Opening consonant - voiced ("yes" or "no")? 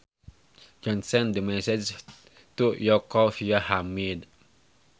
yes